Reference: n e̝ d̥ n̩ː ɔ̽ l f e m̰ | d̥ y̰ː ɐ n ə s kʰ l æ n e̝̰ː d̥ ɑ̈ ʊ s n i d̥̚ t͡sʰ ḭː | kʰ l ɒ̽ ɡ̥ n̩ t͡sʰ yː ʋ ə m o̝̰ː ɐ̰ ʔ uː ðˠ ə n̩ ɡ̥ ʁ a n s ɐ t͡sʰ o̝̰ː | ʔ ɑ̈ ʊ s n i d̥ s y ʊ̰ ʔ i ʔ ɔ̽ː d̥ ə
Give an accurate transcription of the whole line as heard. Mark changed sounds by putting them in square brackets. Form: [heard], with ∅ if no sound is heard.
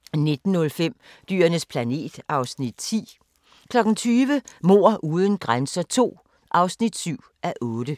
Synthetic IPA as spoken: n e̝ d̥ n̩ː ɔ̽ l f e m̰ | d̥ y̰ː ɐ n ə s [pʰ] l æ n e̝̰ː d̥ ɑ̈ ʊ s n i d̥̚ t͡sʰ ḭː | kʰ l ɒ̽ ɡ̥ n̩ t͡sʰ yː ʋ ə m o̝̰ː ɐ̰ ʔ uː ðˠ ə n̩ ɡ̥ ʁ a n s ɐ t͡sʰ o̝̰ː | ʔ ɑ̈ ʊ s n i d̥ s y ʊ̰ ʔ [æ] ʔ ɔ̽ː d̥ ə

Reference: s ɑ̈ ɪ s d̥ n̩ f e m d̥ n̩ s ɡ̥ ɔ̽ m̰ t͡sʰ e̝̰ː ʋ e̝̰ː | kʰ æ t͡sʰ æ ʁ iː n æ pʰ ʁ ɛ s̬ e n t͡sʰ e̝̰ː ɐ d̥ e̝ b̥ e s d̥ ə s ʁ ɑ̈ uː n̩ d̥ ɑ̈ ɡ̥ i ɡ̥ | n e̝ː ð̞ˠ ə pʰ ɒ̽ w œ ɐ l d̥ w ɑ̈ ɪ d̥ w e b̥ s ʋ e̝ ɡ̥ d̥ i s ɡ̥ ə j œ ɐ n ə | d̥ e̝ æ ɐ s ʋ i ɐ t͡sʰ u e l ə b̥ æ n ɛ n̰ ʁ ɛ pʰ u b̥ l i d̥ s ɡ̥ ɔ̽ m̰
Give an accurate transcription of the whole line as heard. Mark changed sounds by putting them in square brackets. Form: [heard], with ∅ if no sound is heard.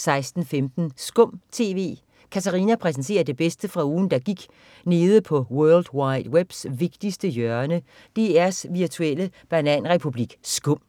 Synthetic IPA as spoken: s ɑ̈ ɪ s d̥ n̩ f e m d̥ n̩ s ɡ̥ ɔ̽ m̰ t͡sʰ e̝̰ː ʋ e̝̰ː | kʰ æ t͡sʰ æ ʁ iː n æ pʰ ʁ ɛ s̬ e n t͡sʰ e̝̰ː ɐ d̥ e̝ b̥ e s d̥ ə [f] ʁ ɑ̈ uː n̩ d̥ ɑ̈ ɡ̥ i ɡ̥ | n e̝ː ð̞ˠ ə pʰ ɒ̽ w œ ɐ l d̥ w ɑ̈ ɪ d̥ w e b̥ s ʋ e̝ ɡ̥ d̥ i s [d̥] ə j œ ɐ n ə | d̥ e̝ æ ɐ s ʋ i ɐ t͡sʰ u e l ə b̥ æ n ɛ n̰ ʁ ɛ pʰ u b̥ l i [ɡ̥] s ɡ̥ ɔ̽ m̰

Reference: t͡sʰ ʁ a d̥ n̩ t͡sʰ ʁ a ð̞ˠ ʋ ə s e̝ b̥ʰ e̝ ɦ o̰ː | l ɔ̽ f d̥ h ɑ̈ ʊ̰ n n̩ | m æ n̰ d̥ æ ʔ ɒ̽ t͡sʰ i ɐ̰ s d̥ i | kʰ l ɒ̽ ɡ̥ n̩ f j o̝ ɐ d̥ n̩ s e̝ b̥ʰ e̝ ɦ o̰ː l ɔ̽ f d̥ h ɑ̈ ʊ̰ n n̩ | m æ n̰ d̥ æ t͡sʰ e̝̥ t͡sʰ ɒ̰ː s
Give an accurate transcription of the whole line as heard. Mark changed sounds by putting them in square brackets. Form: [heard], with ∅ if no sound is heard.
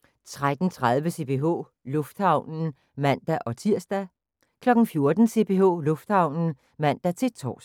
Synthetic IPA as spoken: t͡sʰ ʁ a d̥ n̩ t͡sʰ ʁ a ð̞ˠ ʋ ə s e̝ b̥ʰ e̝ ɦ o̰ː | l ɔ̽ f d̥ h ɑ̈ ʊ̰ n n̩ | m æ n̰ d̥ æ ʔ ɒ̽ t͡sʰ i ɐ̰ s d̥ [æ] | kʰ l ɒ̽ ɡ̥ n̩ f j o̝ ɐ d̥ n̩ s e̝ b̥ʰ e̝ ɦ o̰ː l ɔ̽ f d̥ h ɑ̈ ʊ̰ n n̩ | m æ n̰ d̥ æ t͡sʰ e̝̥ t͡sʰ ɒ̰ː s

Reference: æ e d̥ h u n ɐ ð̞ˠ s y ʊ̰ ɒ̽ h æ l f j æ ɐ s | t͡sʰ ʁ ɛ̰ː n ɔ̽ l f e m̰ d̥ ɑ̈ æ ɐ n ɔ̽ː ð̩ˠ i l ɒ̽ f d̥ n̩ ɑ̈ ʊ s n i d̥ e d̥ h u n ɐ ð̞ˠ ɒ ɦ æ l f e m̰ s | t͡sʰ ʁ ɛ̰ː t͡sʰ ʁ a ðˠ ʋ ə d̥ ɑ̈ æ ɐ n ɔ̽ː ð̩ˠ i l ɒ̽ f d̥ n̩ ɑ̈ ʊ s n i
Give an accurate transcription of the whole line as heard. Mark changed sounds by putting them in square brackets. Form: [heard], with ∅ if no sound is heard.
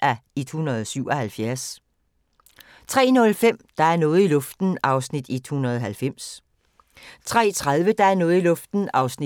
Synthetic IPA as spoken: æ e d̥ h u n ɐ ð̞ˠ s y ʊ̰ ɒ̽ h æ l f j æ ɐ s | t͡sʰ ʁ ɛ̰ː n ɔ̽ l f e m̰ d̥ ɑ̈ æ ɐ n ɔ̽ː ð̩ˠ i l [ɔ̽] f d̥ n̩ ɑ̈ ʊ s n i d̥ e d̥ h u n ɐ ð̞ˠ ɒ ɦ æ l f e m̰ s | t͡sʰ ʁ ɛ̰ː t͡sʰ ʁ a ðˠ ʋ ə d̥ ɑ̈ æ ɐ n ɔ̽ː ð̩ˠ i l [ɔ̽] f d̥ n̩ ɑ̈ ʊ s n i

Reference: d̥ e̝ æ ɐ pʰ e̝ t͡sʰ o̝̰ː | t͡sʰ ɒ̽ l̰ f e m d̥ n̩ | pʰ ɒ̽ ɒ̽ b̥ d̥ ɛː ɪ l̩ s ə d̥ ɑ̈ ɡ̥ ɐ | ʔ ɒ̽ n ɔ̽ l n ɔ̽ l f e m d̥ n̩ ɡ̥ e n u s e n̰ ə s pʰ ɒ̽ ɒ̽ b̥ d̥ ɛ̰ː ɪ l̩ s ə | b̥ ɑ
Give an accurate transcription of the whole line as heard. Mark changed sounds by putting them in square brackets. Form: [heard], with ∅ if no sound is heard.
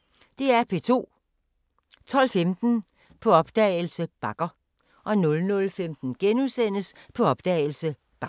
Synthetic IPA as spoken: d̥ e̝ æ ɐ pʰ e̝ t͡sʰ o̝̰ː | t͡sʰ ɒ̽ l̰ f e m d̥ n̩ | pʰ ɒ̽ ɒ̽ b̥ d̥ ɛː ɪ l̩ s ə [b̥] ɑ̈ ɡ̥ ɐ | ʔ ɒ̽ n ɔ̽ l n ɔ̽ l f e m d̥ n̩ ɡ̥ e n u s e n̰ ə s pʰ ɒ̽ ɒ̽ b̥ d̥ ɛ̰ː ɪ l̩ s ə | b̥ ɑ

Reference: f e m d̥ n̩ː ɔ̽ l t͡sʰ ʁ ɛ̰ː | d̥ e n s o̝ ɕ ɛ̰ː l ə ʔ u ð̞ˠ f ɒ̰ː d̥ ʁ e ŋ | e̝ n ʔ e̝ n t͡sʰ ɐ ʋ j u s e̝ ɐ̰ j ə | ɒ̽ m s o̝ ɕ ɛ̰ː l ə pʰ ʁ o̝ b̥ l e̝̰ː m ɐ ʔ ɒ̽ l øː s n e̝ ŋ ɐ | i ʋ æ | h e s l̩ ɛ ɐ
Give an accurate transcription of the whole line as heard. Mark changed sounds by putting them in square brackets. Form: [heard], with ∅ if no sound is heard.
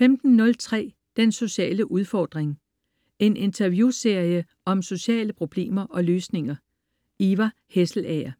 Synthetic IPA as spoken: f e m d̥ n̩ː ɔ̽ l t͡sʰ ʁ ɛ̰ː | d̥ e n s o̝ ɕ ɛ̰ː l ə ʔ u ð̞ˠ f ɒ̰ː d̥ ʁ e ŋ | e̝ n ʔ e̝ n t͡sʰ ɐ ʋ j u s e̝ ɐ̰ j ə | ɒ̽ m s o̝ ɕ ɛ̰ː l ə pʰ ʁ o̝ b̥ l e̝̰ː m ɐ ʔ ɒ̽ l øː s n e̝ ŋ ɐ | i ʋ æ | h e s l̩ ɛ ɐ

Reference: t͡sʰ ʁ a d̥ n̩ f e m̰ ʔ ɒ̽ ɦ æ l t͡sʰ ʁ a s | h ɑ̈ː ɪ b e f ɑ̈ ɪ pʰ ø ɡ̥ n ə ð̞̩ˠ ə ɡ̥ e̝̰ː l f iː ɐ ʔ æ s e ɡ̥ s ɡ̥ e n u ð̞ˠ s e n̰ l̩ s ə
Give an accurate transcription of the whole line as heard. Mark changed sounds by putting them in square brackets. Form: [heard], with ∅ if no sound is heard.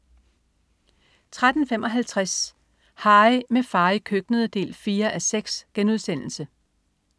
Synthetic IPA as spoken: t͡sʰ ʁ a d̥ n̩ f e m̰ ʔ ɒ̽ ɦ æ l t͡sʰ ʁ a s | h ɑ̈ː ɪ [m] e f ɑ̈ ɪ [kʰ] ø ɡ̥ n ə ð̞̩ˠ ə [d̥] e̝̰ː l f iː ɐ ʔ æ s e ɡ̥ s ɡ̥ e n u ð̞ˠ s e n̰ l̩ s ə

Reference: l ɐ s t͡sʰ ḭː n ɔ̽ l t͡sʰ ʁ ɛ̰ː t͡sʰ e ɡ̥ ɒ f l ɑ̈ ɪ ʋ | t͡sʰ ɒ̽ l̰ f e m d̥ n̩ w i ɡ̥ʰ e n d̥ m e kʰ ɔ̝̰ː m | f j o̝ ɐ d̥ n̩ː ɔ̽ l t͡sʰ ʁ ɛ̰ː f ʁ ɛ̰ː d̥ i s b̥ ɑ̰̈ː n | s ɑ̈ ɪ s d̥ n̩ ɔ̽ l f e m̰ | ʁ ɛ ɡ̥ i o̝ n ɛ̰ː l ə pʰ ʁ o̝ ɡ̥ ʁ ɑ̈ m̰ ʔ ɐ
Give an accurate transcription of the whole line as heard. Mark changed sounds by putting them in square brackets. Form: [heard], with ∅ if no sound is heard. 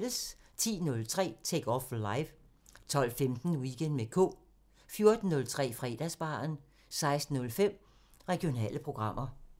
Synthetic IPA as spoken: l [ə] s t͡sʰ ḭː n ɔ̽ l t͡sʰ ʁ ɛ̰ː t͡sʰ e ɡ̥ ɒ f l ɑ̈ ɪ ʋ | t͡sʰ ɒ̽ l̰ f e m d̥ n̩ w i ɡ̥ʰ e n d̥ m e kʰ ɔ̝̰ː [∅] | f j o̝ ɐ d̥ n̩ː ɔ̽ l t͡sʰ ʁ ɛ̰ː f ʁ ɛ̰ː d̥ [æ] s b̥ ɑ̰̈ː n | s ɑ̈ ɪ s d̥ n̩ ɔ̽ l f e m̰ | ʁ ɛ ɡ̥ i o̝ n ɛ̰ː l ə pʰ ʁ o̝ ɡ̥ ʁ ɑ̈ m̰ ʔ ɐ

